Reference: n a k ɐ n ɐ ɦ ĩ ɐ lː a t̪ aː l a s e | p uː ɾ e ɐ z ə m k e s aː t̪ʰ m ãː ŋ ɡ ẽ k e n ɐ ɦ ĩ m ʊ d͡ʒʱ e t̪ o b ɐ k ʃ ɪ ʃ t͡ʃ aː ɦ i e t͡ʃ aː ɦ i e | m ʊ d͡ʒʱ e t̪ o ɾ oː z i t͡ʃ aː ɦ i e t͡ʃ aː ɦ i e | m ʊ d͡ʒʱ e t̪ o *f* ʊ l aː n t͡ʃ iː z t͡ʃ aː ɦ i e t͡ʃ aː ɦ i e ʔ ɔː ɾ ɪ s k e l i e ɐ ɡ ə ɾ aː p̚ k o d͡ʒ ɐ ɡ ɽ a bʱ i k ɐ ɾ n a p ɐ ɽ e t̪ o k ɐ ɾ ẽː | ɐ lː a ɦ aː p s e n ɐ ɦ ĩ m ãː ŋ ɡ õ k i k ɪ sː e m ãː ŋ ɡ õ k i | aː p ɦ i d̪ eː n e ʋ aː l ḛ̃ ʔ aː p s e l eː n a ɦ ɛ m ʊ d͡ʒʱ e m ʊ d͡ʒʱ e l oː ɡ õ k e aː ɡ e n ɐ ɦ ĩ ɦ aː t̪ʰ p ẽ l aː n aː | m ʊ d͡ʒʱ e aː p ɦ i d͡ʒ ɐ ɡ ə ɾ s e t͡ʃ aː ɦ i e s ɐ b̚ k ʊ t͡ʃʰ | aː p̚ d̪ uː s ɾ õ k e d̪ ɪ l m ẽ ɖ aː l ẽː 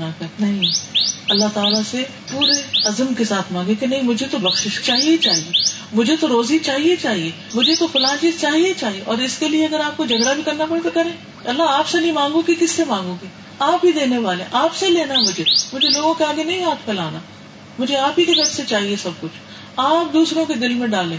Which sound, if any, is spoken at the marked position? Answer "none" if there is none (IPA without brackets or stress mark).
f